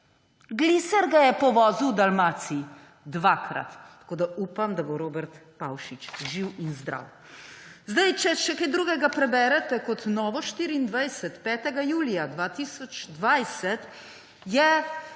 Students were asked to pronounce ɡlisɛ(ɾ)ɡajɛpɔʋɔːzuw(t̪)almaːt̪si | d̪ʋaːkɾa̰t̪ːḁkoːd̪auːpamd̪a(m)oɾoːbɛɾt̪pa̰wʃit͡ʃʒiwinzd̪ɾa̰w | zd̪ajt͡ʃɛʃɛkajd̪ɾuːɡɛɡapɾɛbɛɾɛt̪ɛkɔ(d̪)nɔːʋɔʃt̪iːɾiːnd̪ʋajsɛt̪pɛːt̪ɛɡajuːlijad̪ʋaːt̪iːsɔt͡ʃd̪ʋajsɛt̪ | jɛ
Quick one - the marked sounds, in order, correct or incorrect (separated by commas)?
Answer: correct, incorrect, incorrect, incorrect